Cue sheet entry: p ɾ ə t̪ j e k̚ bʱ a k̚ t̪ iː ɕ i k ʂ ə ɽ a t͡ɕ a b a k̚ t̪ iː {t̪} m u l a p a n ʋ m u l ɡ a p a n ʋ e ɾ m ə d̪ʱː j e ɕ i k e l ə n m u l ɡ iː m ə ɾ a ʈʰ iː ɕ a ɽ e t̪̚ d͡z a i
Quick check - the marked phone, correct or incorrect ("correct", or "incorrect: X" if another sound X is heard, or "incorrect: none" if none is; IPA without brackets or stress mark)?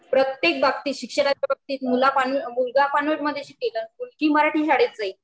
correct